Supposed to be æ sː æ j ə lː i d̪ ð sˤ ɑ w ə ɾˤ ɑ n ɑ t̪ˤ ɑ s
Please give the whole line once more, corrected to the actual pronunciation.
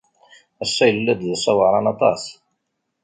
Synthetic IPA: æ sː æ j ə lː æ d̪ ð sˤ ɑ w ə ɾˤ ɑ n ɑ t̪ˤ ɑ s